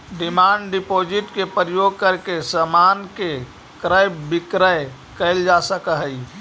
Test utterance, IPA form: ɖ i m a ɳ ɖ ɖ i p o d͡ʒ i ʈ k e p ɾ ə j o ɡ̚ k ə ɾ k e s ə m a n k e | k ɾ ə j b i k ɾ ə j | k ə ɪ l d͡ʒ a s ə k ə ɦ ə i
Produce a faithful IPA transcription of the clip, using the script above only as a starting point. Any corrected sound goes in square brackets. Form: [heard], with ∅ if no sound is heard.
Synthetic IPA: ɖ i m a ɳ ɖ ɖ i p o d͡ʒ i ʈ k e p ɾ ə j o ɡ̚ k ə ɾ k e s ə m a n k e | k ɾ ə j b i k ɾ ə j | k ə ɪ l d͡ʒ a s ə k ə ɦ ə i

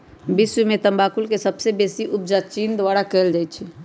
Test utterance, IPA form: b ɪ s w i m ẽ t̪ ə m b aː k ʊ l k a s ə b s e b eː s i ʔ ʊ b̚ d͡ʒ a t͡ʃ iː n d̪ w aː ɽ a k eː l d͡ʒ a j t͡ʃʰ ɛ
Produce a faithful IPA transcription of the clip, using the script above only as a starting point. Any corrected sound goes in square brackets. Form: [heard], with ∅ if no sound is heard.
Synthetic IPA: b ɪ s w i m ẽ t̪ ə m b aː k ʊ l k [e] s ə b s e b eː s i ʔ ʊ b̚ d͡ʒ a t͡ʃ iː n d̪ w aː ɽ a k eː l d͡ʒ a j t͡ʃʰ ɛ

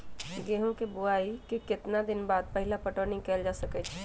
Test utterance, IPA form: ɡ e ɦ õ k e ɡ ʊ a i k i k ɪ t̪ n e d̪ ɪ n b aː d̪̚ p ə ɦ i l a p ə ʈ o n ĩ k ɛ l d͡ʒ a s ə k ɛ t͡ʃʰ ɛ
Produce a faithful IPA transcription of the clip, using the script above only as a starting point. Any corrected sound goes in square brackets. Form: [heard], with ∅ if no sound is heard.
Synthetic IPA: ɡ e ɦ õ k e [b] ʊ a i k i k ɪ t̪ n [a] d̪ ɪ n b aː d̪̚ p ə ɦ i l a p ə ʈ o n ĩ k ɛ l d͡ʒ a s ə k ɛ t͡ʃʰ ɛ

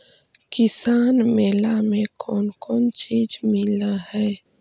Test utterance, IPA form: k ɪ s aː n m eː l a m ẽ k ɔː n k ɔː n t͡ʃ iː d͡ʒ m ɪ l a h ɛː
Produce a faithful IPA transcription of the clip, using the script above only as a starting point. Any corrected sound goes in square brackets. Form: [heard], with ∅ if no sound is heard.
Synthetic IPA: k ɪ s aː n m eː l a m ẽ k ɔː n k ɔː n t͡ʃ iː d͡ʒ m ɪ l a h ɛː

